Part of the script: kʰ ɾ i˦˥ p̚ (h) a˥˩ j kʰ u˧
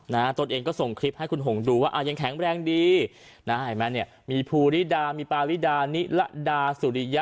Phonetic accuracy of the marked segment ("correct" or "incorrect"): correct